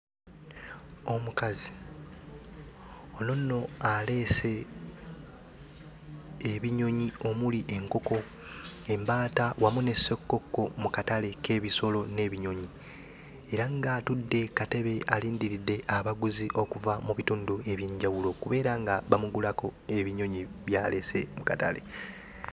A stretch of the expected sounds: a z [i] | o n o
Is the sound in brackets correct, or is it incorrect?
correct